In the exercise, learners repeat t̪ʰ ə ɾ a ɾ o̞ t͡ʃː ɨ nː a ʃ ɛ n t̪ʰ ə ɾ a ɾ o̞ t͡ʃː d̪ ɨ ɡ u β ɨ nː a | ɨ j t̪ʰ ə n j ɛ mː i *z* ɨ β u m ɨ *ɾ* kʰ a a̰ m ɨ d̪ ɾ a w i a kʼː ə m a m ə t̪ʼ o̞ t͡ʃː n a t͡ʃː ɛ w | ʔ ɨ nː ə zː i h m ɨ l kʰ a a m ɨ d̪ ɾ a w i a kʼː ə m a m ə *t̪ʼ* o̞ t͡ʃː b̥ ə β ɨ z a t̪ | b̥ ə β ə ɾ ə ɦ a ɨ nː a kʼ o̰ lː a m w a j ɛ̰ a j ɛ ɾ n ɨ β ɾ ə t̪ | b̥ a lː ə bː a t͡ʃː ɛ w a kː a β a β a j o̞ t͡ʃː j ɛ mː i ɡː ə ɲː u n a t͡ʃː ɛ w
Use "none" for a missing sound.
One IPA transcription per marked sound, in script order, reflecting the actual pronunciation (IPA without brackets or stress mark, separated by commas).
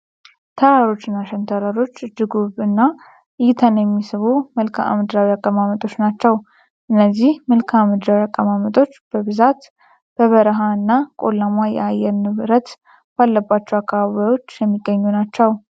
s, l, t̪ʼ